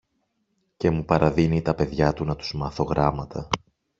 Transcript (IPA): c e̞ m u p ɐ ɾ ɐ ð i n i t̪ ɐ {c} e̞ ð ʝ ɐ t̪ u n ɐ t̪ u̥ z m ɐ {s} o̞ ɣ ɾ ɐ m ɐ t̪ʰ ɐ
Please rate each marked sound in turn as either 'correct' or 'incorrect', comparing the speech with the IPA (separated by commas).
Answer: incorrect, incorrect